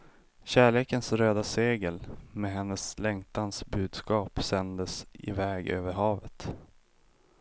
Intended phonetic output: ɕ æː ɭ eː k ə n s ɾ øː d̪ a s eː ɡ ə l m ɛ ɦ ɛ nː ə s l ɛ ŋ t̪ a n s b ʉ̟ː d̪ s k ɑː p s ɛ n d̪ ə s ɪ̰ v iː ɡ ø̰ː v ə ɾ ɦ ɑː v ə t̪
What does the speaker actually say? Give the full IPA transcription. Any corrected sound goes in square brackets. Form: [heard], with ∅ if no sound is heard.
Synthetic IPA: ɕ æː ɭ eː k ə n s ɾ øː d̪ a s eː ɡ ə l m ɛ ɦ ɛ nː ə s l ɛ ŋ t̪ a n s b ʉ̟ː d̪ s k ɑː p s ɛ n d̪ ə s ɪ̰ v [ɛː] ɡ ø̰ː v ə ɾ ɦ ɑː v ə t̪